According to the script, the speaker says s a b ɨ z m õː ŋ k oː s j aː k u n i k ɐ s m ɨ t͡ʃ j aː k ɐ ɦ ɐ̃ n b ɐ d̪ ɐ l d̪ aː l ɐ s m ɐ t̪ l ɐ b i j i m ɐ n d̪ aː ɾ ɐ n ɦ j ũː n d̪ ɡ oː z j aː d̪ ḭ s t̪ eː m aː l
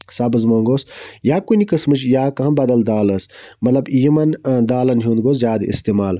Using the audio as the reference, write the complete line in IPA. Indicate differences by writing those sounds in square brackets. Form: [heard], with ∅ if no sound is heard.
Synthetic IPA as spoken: s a b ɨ z m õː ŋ [ɡ] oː s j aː k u n i k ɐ s m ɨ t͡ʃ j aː k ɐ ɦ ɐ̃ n b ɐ d̪ ɐ l d̪ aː l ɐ s m ɐ t̪ l ɐ b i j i m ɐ n d̪ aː [l] ɐ n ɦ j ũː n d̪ ɡ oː z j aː d̪ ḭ s t̪ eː m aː l